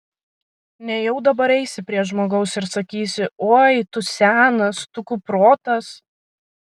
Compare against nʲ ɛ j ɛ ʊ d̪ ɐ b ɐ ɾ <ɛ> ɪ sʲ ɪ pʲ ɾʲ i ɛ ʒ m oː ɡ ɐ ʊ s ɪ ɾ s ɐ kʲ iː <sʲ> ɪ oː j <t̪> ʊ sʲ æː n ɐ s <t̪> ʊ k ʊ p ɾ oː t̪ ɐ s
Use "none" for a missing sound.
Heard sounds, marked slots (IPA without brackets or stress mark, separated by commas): ɛ, sʲ, t̪, t̪